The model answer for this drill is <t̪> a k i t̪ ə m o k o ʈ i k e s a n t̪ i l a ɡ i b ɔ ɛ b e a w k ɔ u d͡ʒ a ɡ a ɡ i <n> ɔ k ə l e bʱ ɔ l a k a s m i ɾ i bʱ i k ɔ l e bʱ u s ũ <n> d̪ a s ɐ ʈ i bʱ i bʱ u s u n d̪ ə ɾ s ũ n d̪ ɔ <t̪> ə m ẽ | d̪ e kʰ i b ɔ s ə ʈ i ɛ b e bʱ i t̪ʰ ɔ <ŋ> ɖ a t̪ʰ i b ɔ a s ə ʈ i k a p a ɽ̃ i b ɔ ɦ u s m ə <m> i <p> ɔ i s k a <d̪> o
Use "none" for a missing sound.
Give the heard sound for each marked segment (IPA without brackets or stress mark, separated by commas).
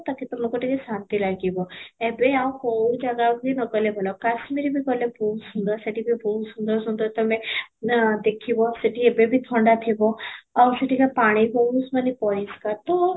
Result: t̪, n, n, t̪, ɳ, n, p, t̪